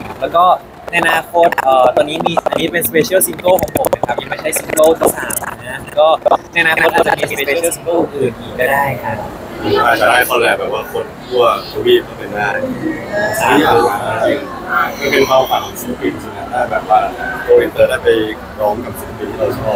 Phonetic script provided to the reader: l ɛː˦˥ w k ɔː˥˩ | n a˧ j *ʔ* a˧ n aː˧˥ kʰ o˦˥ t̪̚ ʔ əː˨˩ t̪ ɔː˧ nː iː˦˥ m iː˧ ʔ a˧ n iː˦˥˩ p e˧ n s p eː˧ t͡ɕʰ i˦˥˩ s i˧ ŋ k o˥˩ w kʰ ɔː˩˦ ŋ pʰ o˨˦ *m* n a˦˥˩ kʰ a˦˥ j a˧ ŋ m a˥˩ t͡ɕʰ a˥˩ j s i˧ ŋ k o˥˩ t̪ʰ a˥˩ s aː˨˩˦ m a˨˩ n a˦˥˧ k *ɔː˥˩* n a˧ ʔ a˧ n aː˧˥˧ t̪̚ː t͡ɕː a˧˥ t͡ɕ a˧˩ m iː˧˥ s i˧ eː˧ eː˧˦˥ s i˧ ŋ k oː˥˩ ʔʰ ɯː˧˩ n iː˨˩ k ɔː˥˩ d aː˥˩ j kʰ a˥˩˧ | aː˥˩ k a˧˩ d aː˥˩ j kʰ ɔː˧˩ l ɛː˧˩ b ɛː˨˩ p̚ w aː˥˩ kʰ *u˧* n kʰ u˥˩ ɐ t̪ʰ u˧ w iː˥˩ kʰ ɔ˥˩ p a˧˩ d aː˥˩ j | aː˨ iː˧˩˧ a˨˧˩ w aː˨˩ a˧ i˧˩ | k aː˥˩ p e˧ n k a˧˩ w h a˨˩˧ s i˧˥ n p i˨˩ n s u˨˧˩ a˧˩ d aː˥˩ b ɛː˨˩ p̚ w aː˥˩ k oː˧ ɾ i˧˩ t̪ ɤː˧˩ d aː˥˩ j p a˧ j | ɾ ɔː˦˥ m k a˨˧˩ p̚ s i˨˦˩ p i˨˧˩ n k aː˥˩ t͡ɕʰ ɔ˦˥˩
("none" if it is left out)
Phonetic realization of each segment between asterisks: ʔ, m, ɔː˥˩, o˧

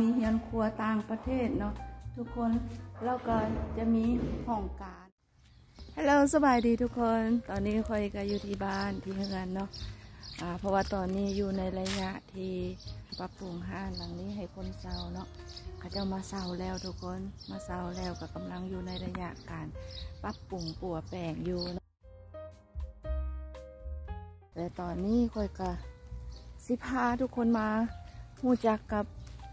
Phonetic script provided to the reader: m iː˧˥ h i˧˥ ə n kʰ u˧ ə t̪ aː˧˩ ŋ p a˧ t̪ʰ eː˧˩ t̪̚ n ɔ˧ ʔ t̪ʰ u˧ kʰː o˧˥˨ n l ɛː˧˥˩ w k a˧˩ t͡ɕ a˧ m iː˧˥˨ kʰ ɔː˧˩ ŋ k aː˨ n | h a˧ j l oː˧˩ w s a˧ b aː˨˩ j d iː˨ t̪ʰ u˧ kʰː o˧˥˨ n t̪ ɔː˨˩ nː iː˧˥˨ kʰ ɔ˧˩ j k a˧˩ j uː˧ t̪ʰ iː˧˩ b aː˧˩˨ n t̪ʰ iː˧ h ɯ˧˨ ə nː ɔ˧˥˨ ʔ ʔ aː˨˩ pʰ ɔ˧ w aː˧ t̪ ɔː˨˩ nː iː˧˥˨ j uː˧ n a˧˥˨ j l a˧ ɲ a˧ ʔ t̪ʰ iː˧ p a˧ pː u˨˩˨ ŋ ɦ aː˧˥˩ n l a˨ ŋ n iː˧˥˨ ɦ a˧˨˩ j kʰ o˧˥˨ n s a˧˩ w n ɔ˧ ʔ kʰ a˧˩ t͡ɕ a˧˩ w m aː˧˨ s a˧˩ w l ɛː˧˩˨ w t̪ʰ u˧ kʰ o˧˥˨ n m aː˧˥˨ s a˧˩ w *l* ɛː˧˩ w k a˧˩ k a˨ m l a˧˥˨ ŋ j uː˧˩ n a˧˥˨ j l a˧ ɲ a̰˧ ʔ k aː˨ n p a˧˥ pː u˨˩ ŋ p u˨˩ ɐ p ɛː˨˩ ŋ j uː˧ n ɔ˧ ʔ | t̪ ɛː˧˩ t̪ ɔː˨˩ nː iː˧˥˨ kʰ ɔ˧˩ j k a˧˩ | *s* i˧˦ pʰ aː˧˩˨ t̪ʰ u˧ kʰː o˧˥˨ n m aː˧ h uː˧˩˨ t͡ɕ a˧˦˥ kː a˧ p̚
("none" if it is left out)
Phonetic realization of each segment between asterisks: l, s

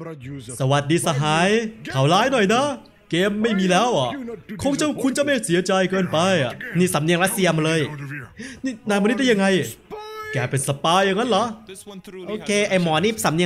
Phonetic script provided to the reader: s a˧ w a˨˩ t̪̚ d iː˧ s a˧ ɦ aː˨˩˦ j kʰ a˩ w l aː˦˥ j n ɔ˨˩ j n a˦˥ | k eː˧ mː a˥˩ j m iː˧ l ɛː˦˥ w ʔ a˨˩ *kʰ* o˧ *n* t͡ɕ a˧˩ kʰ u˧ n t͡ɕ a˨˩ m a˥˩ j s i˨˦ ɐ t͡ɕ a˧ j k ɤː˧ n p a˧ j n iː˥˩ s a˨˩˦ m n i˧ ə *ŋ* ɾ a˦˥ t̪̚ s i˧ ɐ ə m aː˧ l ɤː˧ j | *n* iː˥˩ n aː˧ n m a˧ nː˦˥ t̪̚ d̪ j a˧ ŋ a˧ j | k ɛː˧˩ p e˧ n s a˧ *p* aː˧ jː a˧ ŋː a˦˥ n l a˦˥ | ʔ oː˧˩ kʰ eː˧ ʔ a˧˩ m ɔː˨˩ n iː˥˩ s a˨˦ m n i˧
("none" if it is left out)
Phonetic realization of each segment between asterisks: kʰ, ŋ, ŋ, n, p

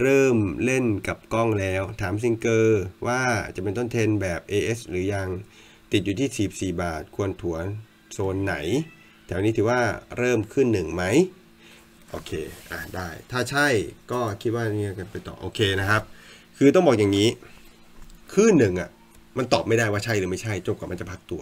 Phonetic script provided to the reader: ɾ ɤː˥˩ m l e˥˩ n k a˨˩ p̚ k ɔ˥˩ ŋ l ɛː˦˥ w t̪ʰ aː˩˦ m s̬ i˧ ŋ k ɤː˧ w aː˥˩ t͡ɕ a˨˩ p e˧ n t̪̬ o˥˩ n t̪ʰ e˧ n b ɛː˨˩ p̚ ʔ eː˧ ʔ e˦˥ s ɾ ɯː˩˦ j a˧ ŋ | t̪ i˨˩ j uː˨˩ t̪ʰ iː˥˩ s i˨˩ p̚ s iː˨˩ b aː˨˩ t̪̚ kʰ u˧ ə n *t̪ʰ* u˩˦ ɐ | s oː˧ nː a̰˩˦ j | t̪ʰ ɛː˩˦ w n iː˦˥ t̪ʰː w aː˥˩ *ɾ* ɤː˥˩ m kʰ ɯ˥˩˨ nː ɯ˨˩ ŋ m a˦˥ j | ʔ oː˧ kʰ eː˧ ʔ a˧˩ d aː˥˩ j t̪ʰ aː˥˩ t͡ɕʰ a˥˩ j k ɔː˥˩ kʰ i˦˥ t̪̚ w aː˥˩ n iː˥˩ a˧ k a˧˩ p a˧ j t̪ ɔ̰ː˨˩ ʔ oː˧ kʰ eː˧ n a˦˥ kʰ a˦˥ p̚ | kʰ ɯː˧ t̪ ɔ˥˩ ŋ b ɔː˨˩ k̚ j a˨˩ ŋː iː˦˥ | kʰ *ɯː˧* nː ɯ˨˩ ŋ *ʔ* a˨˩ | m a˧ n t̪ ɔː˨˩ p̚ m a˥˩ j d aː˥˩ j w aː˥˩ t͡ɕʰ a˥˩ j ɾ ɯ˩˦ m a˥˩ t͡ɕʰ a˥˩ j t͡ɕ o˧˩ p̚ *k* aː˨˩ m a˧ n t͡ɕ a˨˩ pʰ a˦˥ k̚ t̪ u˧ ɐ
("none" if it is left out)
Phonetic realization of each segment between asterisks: t̪ʰ, ɾ, ɯː˥˩, ʔ, k

